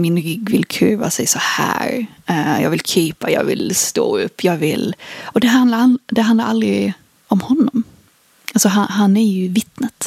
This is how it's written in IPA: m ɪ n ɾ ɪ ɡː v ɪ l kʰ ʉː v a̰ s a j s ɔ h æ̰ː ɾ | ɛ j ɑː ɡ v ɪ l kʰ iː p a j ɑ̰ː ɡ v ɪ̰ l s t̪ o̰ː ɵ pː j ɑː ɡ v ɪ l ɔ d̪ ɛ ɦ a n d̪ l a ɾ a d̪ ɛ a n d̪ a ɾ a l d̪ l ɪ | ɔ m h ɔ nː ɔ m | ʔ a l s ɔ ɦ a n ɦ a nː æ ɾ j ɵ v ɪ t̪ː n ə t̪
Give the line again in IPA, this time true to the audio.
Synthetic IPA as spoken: m ɪ n ɾ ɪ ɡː v ɪ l kʰ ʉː v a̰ s ɛ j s ɔ h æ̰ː ɾ | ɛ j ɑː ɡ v ɪ l kʰ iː p a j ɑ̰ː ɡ v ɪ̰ l s t̪ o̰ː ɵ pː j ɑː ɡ v ɪ l ɔ d̪ ɛ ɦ a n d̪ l a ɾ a d̪ ɛ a n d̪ a ɾ a l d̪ ɾ ɪ | ɔ m h ɔ nː ɔ m | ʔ a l s ɔ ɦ a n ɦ a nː æ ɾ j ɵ v ɪ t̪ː n ə t̪